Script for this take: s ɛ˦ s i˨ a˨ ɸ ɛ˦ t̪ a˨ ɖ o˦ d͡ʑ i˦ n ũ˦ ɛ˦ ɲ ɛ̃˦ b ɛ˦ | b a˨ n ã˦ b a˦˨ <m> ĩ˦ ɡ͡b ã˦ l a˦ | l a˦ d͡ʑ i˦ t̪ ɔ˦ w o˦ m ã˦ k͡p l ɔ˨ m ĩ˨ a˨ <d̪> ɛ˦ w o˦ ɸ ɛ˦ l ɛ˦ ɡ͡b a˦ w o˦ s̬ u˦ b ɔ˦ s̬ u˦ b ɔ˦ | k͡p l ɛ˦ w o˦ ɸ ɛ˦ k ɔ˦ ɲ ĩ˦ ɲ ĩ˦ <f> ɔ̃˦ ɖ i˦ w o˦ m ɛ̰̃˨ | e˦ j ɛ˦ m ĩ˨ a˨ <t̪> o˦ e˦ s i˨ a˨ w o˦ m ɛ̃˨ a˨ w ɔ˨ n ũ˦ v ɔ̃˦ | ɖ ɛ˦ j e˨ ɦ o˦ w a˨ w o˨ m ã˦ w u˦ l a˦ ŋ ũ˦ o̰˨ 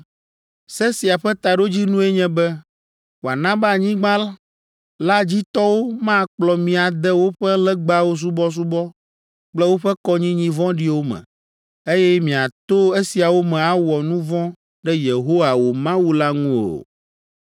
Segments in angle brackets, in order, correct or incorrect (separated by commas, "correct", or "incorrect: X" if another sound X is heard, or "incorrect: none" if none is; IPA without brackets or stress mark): incorrect: ɲ, correct, incorrect: v, correct